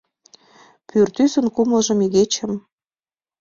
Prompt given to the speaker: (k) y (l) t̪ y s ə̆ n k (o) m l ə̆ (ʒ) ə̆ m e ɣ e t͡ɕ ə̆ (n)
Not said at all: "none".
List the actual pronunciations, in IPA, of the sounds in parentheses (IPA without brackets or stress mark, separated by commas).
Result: p, r, u, ʒ, m